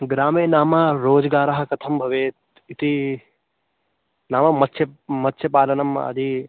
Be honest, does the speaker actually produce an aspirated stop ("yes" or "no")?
yes